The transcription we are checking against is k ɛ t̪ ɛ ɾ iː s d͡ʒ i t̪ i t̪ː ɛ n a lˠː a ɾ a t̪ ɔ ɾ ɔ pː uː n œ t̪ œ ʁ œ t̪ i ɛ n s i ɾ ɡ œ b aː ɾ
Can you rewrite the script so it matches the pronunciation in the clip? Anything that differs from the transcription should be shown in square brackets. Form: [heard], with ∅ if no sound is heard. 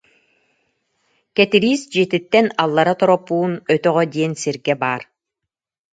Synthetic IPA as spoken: k ɛ t̪ [i] ɾ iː s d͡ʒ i t̪ i t̪ː ɛ n a lˠː a ɾ a t̪ ɔ ɾ ɔ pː uː n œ t̪ œ ʁ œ [d̪] i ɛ n s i ɾ ɡ [ɛ] b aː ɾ